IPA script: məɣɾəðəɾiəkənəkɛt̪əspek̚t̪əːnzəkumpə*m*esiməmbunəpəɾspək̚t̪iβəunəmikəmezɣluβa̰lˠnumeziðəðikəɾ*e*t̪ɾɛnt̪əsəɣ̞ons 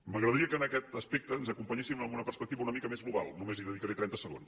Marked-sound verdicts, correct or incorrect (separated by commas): incorrect, correct